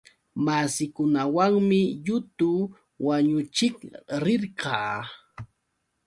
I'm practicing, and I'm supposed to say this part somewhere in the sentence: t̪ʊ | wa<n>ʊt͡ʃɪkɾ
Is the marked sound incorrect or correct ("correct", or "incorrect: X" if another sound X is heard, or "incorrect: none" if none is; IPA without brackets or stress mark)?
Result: incorrect: ɲ